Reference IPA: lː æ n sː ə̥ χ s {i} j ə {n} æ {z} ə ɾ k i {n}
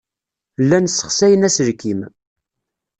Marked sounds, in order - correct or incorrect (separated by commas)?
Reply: incorrect, correct, incorrect, incorrect